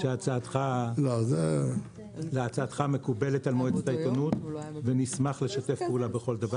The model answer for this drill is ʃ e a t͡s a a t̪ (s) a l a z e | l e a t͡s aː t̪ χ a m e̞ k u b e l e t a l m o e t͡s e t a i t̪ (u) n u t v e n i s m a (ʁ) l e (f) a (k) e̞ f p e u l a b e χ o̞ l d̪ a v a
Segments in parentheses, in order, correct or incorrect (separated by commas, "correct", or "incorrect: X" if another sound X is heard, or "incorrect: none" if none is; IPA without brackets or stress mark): incorrect: χ, incorrect: o, incorrect: χ, incorrect: ʃ, incorrect: t